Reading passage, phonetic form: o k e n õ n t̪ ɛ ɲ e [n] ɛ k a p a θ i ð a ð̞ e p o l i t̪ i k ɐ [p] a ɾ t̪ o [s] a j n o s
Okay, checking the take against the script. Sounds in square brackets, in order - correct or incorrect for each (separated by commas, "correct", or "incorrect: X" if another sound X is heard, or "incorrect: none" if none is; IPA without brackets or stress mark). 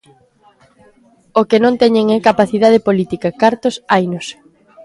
incorrect: ŋ, incorrect: k, correct